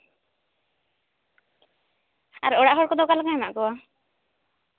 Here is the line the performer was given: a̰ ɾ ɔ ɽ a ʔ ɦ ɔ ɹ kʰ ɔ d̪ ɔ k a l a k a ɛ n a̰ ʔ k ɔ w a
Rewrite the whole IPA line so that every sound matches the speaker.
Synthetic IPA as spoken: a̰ ɾ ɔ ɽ a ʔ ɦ ɔ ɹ k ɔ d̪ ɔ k a l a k a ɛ m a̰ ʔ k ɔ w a